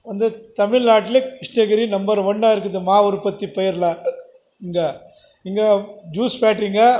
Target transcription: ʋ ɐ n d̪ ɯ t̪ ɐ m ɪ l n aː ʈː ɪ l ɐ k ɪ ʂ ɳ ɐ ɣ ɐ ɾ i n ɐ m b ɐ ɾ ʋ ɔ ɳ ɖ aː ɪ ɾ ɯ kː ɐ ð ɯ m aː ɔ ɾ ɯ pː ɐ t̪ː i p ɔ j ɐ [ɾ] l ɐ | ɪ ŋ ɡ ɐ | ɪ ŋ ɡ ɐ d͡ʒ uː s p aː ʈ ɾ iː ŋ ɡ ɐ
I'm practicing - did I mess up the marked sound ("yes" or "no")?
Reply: no